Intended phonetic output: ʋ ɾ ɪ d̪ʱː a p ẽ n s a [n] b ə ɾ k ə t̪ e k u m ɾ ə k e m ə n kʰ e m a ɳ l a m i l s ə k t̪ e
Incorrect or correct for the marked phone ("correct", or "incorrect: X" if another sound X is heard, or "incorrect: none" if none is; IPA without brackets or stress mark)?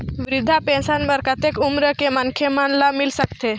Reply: correct